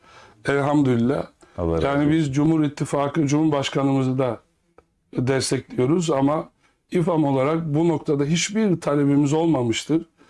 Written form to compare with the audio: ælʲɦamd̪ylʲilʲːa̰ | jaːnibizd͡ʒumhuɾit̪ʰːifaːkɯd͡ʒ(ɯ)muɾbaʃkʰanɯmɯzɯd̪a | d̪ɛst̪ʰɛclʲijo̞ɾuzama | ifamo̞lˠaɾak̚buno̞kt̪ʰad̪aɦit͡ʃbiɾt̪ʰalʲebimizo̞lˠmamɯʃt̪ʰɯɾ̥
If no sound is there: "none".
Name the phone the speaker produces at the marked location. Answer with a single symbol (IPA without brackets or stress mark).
u